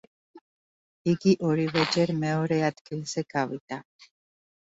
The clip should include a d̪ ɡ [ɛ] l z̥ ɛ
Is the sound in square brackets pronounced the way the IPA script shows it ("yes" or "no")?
no